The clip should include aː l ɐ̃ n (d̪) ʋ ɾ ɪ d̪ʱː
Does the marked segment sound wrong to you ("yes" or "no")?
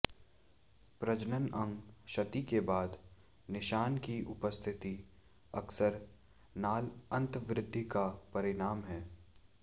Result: yes